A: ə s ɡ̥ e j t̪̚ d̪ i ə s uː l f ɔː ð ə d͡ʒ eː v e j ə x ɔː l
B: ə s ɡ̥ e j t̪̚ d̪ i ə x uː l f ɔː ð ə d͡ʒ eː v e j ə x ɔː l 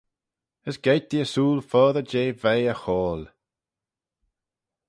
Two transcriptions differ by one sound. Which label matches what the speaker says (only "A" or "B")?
A